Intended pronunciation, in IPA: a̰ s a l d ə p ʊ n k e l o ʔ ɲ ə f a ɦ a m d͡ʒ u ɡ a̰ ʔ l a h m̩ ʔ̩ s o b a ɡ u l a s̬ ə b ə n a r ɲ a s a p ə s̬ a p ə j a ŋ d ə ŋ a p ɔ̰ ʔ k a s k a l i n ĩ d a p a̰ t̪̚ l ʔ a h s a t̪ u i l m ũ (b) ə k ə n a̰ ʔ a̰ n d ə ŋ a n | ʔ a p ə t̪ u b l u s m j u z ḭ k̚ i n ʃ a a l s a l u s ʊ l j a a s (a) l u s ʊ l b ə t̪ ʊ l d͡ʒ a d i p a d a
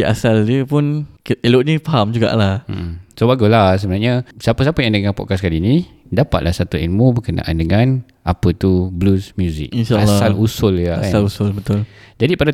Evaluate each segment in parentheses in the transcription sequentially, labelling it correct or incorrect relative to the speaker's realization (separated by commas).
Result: correct, correct